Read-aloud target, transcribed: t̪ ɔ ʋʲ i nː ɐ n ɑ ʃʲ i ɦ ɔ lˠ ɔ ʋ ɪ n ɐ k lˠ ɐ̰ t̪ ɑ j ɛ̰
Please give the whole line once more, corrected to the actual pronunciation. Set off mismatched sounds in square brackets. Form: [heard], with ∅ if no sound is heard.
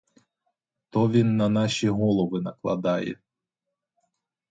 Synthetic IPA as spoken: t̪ ɔ ʋʲ i nː ɐ n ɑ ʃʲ i ɦ ɔ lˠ ɔ ʋ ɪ n ɐ k lˠ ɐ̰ [d̪] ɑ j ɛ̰

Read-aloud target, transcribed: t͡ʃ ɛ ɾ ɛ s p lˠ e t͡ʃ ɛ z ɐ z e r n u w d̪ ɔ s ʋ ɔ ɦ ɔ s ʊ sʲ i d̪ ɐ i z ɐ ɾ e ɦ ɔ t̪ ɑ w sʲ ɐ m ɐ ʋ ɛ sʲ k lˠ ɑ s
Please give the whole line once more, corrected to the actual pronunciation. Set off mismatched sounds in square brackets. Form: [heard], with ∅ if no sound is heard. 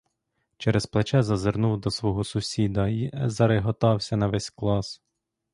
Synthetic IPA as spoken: t͡ʃ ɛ ɾ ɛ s p lˠ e t͡ʃ ɛ z ɐ z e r n u w d̪ ɔ s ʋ ɔ ɦ ɔ s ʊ sʲ i d̪ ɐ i z ɐ ɾ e ɦ ɔ t̪ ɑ w sʲ ɐ [n] ɐ ʋ ɛ sʲ k lˠ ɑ s

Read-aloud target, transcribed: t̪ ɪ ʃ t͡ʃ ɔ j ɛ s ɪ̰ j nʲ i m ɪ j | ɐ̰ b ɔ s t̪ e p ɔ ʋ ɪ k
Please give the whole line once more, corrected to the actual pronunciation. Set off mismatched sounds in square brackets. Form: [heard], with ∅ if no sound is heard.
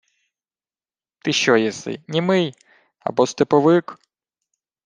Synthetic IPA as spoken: t̪ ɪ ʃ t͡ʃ ɔ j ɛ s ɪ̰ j nʲ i m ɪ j | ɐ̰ b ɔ s t̪ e p ɔ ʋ ɪ k

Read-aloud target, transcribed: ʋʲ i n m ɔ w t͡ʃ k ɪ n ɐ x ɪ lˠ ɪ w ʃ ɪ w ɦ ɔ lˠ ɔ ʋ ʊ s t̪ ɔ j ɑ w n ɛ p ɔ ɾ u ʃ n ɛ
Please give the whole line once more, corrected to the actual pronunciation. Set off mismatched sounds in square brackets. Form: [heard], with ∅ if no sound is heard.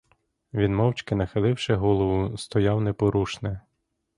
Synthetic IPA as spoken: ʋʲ i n m ɔ w t͡ʃ k ɪ n ɐ x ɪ lˠ ɪ w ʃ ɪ [∅] ɦ ɔ lˠ ɔ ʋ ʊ s t̪ ɔ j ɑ w n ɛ p ɔ ɾ u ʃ n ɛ

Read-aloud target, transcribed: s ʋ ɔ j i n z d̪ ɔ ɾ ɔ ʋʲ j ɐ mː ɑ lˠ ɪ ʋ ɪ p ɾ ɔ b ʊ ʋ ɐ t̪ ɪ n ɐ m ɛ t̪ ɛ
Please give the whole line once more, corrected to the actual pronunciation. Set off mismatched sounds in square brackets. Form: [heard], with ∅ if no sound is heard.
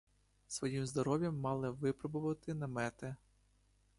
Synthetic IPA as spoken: s ʋ ɔ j i [m] z d̪ ɔ ɾ ɔ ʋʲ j ɐ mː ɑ lˠ ɪ ʋ ɪ p ɾ ɔ b ʊ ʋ ɐ t̪ ɪ n ɐ m ɛ t̪ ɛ

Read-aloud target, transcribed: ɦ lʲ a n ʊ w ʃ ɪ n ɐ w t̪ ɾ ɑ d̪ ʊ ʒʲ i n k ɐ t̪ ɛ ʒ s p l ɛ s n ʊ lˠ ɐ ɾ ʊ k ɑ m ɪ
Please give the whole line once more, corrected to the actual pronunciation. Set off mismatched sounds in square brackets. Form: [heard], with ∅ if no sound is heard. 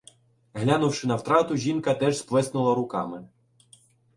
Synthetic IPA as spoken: ɦ lʲ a n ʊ w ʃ ɪ n ɐ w t̪ ɾ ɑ [t̪] ʊ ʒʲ i n k ɐ t̪ ɛ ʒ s p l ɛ s n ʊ lˠ ɐ ɾ ʊ k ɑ m ɪ

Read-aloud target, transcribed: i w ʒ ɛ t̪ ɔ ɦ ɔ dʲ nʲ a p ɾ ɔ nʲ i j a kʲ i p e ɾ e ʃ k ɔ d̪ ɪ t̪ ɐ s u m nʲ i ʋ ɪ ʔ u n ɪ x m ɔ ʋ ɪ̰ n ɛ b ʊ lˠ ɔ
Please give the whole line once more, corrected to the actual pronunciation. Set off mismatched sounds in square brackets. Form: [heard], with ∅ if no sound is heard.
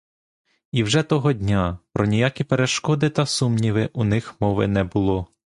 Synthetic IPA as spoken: i w ʒ ɛ t̪ ɔ ɦ ɔ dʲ nʲ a p ɾ ɔ nʲ i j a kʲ i p e ɾ e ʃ k ɔ d̪ ɪ t̪ ɐ s u m nʲ i ʋ ɪ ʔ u n ɪ x m ɔ ʋ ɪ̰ n ɛ b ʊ lˠ ɔ

